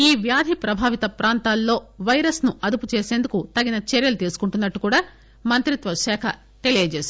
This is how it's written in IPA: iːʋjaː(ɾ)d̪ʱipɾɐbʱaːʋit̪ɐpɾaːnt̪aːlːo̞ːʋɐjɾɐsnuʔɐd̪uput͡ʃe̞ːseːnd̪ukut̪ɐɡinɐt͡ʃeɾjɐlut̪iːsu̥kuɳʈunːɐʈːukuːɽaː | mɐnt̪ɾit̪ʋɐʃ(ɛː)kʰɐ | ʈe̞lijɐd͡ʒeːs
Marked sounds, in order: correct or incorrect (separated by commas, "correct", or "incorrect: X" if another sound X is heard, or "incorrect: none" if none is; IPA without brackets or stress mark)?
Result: incorrect: none, correct